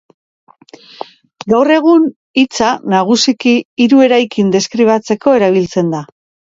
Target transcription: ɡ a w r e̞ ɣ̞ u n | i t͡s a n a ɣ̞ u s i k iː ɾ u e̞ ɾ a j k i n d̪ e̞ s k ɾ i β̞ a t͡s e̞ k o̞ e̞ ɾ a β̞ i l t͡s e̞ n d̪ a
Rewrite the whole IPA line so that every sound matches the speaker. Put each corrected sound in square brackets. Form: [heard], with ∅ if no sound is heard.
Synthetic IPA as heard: ɡ a w r e̞ ɣ̞ u n | i t͡s a n a ɣ̞ u s i k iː ɾ u e̞ ɾ a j k i n d̪ e̞ s k ɾ i β̞ a t͡s e̞ k o̞ e̞ ɾ a β̞ i l t͡s e̞ n d̪ a